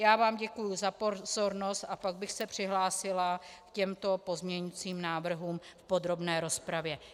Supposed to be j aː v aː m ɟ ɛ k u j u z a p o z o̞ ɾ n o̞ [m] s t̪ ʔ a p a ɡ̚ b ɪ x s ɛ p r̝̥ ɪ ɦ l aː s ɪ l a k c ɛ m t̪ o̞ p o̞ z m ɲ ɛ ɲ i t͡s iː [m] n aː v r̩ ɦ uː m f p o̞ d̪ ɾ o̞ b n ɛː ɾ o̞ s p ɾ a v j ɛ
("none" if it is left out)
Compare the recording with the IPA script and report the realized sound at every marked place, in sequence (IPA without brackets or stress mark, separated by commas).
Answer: none, m